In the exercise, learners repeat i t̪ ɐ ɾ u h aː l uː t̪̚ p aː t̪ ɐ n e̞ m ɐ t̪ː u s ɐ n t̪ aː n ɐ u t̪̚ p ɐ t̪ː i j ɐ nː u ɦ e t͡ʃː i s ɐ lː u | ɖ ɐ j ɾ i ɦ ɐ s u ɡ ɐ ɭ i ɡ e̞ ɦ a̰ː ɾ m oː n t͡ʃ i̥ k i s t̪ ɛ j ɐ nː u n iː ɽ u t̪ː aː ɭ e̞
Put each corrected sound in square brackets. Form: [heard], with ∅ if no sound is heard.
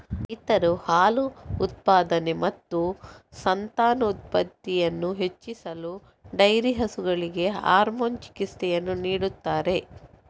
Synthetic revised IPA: i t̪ ɐ ɾ u h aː l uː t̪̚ p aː [d̪] ɐ n e̞ m ɐ t̪ː u s ɐ n t̪ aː n ɐ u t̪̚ p ɐ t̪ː i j ɐ nː u ɦ e t͡ʃː i s ɐ [l] u | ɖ ɐ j ɾ i ɦ ɐ s u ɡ ɐ ɭ i ɡ e̞ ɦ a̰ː ɾ m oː n t͡ʃ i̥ k i s t̪ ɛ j ɐ nː u n iː ɽ u t̪ː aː [ɾ] e̞